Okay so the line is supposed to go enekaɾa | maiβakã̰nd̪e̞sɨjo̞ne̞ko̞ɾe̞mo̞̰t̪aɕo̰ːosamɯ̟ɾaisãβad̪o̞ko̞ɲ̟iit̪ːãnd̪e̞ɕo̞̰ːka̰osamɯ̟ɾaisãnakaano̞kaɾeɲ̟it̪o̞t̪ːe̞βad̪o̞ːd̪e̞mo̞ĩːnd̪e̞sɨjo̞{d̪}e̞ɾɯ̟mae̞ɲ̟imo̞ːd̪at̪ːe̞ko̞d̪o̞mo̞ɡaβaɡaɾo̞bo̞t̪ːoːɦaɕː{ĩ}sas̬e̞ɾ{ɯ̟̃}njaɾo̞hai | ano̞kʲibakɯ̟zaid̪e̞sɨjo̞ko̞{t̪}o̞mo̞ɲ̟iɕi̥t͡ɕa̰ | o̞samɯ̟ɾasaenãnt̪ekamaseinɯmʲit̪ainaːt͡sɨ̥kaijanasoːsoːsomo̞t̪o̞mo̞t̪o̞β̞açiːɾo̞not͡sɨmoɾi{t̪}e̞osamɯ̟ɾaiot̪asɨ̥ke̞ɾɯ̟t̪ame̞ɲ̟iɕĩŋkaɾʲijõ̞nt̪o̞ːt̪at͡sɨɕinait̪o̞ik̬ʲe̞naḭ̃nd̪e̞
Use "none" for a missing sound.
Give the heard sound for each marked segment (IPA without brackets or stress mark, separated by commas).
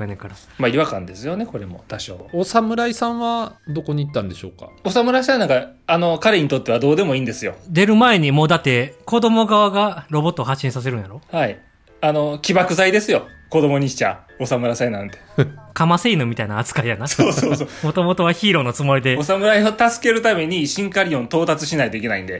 d̪, ĩ, ɯ̟, d̪, d̪